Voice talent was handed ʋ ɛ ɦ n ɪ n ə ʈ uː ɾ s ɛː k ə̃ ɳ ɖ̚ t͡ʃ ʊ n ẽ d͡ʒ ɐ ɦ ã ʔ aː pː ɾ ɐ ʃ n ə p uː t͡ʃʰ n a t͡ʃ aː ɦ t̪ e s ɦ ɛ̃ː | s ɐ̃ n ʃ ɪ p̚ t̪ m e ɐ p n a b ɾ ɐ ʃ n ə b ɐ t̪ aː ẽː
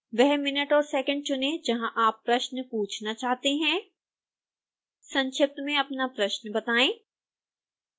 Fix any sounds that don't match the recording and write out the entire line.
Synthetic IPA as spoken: ʋ ɛ ɦ m ɪ n ə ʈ ɔː ɾ s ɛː k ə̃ ɳ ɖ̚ t͡ʃ ʊ n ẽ d͡ʒ ɐ ɦ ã ʔ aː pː ɾ ɐ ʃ n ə p uː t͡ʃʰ n a t͡ʃ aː ɦ t̪ e ɦ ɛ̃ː | s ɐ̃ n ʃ ɪ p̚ t̪ m ẽ ɐ p n a p ɾ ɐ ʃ n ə b ɐ t̪ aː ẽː